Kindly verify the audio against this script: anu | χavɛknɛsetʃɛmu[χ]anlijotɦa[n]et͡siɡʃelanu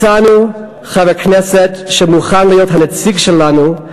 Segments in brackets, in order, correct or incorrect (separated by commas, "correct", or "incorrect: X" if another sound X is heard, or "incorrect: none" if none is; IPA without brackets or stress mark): correct, correct